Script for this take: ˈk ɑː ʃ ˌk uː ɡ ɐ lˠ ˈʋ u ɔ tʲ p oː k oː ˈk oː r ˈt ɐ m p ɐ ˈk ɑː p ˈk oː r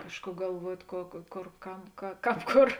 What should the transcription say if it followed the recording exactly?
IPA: ˈk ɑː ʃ ˌk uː ɡ ɐ lˠ ˈʋ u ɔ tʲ k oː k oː ˈk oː r ˈk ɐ m k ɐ ˈk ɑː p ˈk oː r